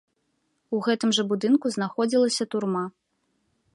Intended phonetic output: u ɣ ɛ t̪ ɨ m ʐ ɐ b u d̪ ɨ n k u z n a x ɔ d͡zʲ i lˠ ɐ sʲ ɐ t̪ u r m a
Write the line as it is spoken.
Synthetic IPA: u ɣ ɛ t̪ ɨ m ʐ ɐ b u d̪ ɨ n k u z n a x ɔ d͡zʲ i lˠ ɐ sʲ ɐ t̪ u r m a

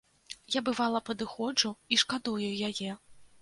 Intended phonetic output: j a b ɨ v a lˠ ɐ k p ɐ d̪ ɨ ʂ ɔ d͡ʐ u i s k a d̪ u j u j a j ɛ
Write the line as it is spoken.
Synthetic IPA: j a b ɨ v a lˠ ɐ p ɐ d̪ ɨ x ɔ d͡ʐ u i ʂ k a d̪ u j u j a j ɛ

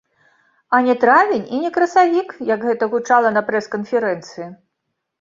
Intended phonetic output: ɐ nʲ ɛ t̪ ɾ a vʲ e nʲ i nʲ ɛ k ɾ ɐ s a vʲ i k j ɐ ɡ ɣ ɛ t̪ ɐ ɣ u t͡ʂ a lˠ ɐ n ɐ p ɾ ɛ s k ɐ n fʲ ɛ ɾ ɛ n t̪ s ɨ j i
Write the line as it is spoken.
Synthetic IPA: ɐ nʲ ɛ t̪ ɾ a vʲ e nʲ i nʲ ɛ k ɾ ɐ s a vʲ i k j ɐ ɡ ɣ ɛ t̪ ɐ ɣ u t͡ʂ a lˠ ɐ n ɐ p ɾ ɛ s k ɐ n fʲ ɛ ɾ ɛ n t̪ s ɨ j i

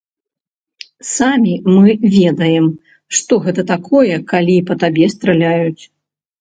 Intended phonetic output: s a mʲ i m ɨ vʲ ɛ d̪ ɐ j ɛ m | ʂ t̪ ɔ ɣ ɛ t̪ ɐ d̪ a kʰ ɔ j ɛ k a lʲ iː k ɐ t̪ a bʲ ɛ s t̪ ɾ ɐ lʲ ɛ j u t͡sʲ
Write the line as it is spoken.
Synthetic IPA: s a mʲ i m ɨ vʲ ɛ d̪ ɐ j ɛ m | ʂ t̪ ɔ ɣ ɛ t̪ ɐ t̪ a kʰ ɔ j ɛ k a lʲ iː p ɐ t̪ a bʲ ɛ s t̪ ɾ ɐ lʲ a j u t͡sʲ

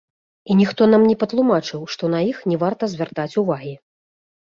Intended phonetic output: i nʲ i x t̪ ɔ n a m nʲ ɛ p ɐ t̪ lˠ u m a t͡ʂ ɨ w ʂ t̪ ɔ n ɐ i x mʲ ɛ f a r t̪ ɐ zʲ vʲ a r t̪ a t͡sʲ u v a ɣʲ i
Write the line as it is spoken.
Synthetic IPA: i nʲ i x t̪ ɔ n a m nʲ ɛ p ɐ t̪ lˠ u m a t͡ʂ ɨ w ʂ t̪ ɔ n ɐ i x nʲ ɛ v a r t̪ ɐ zʲ vʲ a r t̪ a t͡sʲ u v a ɣʲ i

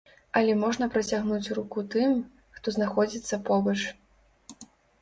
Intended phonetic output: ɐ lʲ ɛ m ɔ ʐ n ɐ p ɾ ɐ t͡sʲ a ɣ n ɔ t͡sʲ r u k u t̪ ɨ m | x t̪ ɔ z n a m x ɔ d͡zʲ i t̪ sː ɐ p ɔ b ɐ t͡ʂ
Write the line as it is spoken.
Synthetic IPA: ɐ lʲ ɛ m ɔ ʐ n ɐ p ɾ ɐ t͡sʲ a ɣ n u t͡sʲ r u k u t̪ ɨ m | x t̪ ɔ z n a x ɔ d͡zʲ i t̪ sː ɐ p ɔ b ɐ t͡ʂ

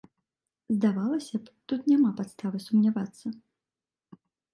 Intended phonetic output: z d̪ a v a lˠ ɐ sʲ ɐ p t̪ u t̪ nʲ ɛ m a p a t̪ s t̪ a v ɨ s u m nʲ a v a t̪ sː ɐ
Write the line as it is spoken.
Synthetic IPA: z d̪ a v a lˠ ɐ sʲ ɐ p t̪ u t̪ nʲ a m a p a t̪ s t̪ a v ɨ s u m nʲ a v a t̪ sː ɐ

